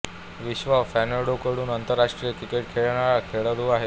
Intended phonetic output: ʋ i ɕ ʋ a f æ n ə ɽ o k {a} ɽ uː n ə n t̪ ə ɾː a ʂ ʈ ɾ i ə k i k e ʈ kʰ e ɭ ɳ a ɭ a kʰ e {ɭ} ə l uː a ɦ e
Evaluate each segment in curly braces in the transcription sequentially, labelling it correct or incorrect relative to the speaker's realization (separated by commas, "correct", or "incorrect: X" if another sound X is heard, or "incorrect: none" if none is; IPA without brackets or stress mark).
incorrect: ə, correct